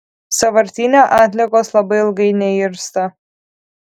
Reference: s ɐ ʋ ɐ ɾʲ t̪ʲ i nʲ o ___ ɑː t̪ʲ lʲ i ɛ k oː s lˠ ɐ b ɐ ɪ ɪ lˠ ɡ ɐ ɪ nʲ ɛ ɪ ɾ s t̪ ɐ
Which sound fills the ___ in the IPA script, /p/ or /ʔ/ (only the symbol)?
ʔ